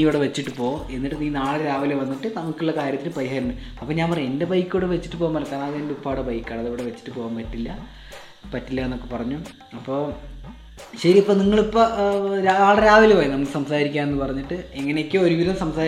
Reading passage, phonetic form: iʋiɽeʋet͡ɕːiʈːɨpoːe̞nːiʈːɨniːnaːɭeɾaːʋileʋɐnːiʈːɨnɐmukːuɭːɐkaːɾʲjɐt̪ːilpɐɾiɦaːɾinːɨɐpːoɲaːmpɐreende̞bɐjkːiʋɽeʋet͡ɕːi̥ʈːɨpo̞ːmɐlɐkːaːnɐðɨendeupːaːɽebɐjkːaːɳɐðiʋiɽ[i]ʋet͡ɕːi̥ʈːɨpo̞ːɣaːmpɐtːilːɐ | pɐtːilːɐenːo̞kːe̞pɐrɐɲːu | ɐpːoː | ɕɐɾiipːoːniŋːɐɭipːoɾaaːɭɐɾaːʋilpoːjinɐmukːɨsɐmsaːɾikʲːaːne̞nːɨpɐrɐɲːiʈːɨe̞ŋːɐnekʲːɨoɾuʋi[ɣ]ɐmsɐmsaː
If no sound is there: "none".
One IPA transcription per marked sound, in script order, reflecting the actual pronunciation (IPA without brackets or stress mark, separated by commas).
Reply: e, ð